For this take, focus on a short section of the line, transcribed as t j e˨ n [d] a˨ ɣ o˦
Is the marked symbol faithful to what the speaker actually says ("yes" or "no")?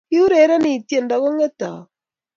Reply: yes